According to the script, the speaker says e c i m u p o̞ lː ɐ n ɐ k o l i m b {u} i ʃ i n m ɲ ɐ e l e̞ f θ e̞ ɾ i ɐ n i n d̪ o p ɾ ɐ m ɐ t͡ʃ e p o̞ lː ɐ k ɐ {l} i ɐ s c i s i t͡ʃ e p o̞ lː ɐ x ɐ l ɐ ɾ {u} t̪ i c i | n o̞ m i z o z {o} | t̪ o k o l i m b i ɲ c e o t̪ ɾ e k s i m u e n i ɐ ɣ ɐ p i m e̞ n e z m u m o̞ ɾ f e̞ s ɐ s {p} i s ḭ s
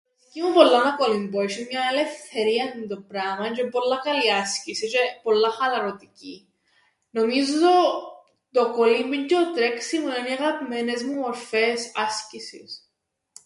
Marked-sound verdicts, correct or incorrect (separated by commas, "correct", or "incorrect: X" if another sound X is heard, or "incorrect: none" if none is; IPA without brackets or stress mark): incorrect: o, correct, incorrect: o, correct, incorrect: c